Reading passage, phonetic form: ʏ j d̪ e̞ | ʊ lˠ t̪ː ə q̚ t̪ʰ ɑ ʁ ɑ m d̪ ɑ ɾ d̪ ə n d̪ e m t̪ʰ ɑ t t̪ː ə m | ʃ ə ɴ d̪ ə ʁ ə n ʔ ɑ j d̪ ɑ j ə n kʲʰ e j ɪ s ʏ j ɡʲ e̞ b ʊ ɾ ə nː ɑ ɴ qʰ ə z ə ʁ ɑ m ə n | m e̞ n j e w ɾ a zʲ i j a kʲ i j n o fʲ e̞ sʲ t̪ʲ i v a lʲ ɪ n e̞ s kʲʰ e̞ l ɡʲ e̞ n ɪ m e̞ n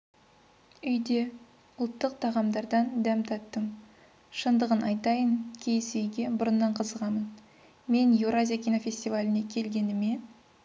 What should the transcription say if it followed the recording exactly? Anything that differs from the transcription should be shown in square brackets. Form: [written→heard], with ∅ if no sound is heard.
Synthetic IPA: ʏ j d̪ e̞ | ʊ lˠ t̪ː ə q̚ t̪ʰ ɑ ʁ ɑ m d̪ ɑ ɾ d̪ [ə→ɑ] n d̪ [e→æ] m t̪ʰ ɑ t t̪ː ə m | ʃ ə [ɴ→n] d̪ ə ʁ ə n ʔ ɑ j [d̪→t̪] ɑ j ə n kʲʰ e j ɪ s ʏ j ɡʲ e̞ b ʊ ɾ ə nː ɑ ɴ qʰ ə z ə ʁ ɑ m ə n | m e̞ n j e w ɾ a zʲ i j a kʲ i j n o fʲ e̞ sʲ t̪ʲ i v a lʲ ɪ n e̞ [s→∅] kʲʰ e̞ l ɡʲ e̞ n ɪ m e̞ n